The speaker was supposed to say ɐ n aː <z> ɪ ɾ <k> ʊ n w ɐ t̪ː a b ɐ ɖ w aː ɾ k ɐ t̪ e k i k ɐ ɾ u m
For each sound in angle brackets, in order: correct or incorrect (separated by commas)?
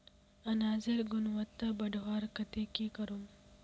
correct, incorrect